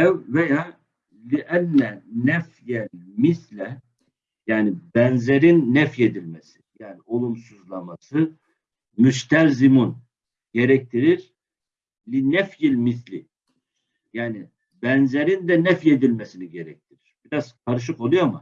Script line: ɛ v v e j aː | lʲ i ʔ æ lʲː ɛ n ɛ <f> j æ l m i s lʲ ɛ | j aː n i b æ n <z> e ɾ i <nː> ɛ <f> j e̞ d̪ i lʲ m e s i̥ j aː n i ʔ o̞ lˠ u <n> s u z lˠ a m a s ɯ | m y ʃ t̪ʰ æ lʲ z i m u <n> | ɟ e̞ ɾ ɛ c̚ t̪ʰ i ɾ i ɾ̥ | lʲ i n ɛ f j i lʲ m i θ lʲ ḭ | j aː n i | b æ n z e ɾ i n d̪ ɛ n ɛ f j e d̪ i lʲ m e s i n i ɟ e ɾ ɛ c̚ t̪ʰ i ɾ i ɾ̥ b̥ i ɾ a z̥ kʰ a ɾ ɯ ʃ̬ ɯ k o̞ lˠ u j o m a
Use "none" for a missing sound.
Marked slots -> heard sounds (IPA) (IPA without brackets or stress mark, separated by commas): f, z, nː, f, m, n